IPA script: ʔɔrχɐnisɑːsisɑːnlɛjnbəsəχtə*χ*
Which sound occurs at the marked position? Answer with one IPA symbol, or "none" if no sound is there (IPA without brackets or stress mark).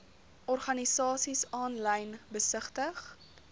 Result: χ